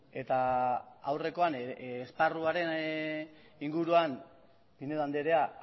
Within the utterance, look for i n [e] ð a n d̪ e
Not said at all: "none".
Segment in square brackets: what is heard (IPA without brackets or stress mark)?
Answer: e